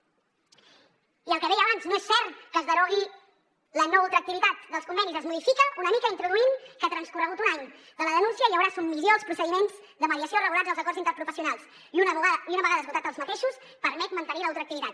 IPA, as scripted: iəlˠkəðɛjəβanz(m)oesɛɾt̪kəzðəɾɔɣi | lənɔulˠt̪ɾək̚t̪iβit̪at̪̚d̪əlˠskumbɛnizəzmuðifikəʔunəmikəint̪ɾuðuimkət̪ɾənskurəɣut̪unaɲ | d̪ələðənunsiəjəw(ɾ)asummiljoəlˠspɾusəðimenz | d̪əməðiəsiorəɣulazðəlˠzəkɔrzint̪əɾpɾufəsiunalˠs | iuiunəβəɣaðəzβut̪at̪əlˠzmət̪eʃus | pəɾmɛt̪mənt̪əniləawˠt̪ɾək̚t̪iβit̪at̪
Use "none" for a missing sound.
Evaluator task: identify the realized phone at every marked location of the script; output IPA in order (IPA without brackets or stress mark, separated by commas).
n, ɾ